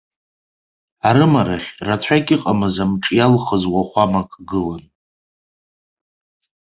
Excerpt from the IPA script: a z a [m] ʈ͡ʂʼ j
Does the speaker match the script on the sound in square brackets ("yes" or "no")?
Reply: yes